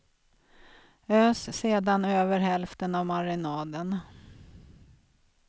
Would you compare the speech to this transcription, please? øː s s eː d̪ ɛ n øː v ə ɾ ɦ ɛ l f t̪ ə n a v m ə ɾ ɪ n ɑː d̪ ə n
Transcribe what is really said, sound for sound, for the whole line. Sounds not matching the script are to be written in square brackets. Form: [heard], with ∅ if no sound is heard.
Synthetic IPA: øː s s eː d̪ [a] n øː v ə ɾ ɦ ɛ l f t̪ ə n a v m [a] ɾ ɪ n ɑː d̪ ə n